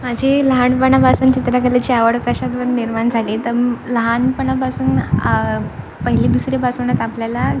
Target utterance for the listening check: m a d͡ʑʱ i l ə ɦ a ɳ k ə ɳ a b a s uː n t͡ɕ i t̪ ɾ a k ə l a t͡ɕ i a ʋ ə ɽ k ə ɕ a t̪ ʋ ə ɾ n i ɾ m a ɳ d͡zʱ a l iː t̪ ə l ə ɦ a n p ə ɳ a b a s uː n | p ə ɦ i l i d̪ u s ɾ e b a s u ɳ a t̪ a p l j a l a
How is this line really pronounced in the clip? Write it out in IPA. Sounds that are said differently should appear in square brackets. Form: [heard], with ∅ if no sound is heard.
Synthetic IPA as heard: m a d͡ʑʱ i l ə ɦ a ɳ [p] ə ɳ a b a s uː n t͡ɕ i t̪ ɾ a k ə l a t͡ɕ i a ʋ ə ɽ k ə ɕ a t̪ ʋ ə ɾ n i ɾ m a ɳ d͡zʱ a l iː t̪ ə l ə ɦ a n p ə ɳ a b a s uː n | p ə ɦ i l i d̪ u s ɾ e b a s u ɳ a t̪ a p l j a l a